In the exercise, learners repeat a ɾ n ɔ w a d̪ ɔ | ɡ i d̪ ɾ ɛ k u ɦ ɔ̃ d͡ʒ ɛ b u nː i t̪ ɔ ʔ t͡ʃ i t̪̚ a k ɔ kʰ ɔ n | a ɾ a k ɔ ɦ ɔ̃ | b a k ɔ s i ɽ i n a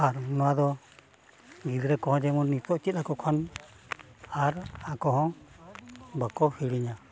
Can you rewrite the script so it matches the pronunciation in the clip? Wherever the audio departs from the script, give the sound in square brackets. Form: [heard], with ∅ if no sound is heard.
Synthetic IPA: a ɾ n ɔ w a d̪ ɔ | ɡ i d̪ ɾ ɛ k [ɔ] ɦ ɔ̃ d͡ʒ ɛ [m] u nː i t̪ ɔ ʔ t͡ʃ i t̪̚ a k ɔ kʰ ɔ n | a ɾ a k ɔ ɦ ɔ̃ | b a k ɔ [h] i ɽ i [ɲ] a